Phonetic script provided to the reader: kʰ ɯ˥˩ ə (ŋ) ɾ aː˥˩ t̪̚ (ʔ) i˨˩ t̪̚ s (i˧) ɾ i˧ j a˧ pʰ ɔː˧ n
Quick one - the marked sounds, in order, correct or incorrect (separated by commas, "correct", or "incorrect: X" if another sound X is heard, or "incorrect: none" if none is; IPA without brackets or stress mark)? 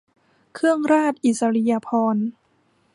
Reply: correct, correct, incorrect: a˧